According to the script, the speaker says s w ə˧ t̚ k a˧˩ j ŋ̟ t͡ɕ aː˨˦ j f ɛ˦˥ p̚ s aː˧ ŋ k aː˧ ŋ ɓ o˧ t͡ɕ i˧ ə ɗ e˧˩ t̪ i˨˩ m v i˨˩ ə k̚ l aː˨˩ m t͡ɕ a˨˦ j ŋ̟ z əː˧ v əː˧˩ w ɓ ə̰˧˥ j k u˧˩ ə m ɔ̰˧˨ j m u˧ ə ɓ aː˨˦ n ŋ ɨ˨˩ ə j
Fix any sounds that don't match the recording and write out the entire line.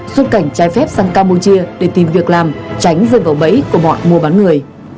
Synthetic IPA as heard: s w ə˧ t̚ k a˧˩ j ŋ̟ t͡ɕ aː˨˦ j f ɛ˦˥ p̚ s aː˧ ŋ k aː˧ m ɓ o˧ t͡ɕ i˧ ə ɗ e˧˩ t̪ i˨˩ m v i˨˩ ə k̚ l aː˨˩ m t͡ɕ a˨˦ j ŋ̟ z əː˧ v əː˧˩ w ɓ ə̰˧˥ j k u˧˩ ə m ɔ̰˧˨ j m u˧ ə ɓ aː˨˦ n ŋ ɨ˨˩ ə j